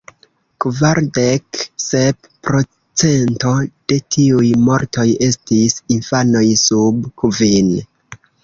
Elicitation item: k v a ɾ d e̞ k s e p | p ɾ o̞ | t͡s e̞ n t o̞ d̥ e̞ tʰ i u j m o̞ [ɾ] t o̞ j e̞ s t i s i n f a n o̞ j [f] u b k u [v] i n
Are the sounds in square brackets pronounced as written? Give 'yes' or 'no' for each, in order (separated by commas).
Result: yes, no, yes